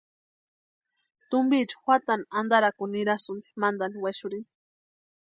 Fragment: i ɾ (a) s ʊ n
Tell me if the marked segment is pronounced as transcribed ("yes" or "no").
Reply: yes